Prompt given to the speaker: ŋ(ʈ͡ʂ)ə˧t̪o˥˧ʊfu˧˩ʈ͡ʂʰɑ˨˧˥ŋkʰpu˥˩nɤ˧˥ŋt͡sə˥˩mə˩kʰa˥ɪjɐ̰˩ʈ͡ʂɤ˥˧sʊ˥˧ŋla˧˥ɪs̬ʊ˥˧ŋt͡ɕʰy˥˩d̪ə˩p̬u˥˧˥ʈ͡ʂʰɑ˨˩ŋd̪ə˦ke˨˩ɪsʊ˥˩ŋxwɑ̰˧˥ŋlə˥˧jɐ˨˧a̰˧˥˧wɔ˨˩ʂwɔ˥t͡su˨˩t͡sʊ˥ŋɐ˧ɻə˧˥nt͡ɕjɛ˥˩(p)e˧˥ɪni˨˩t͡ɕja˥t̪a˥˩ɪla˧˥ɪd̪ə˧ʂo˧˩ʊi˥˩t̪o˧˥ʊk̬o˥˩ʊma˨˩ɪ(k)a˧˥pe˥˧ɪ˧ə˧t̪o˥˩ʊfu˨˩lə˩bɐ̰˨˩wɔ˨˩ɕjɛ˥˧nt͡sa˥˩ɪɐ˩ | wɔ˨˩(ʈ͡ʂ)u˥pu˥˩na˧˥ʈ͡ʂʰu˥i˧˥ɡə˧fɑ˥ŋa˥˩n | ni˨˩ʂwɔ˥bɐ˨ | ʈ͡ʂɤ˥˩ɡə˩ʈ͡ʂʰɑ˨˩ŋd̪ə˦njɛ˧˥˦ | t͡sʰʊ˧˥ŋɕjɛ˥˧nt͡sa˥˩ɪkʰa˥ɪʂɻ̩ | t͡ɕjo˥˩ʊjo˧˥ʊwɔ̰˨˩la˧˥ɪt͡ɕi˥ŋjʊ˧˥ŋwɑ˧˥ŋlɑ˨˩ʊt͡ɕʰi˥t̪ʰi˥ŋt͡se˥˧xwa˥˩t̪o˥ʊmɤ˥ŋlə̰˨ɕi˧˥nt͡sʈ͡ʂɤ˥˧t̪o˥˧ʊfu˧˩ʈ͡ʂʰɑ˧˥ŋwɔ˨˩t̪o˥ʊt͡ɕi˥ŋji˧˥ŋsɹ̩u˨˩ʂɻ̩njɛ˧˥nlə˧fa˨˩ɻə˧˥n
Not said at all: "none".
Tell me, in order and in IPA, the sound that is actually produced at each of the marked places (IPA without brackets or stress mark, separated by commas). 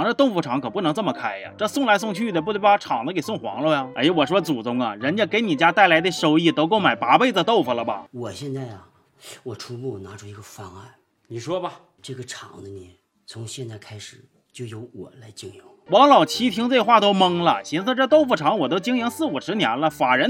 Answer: ʈ͡ʂ, k, p, ʈ͡ʂʰ